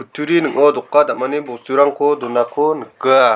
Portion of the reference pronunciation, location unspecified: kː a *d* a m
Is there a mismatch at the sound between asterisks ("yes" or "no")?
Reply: no